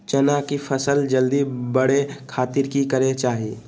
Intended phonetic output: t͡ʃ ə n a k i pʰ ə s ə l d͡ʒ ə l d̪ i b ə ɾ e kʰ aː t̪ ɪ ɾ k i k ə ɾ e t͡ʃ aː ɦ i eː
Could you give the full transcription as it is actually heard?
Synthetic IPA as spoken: t͡ʃ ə n a k i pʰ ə s ə l d͡ʒ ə l d̪ i b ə ɽ e kʰ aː t̪ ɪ ɾ k i k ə ɾ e t͡ʃ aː ɦ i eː